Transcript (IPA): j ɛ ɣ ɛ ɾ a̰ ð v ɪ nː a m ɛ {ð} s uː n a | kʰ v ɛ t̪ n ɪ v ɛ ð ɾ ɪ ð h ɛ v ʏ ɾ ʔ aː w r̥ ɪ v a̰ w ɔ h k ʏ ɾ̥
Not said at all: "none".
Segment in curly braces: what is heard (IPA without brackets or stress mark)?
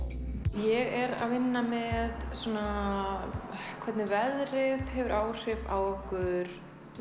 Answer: ð